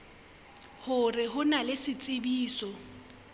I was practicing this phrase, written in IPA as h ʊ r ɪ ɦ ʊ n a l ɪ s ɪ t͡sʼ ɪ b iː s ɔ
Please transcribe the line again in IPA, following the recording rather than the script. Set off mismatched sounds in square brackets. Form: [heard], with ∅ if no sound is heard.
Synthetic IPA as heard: h ʊ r ɪ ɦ ʊ n a l ɪ s ɪ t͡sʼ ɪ b iː s ɔ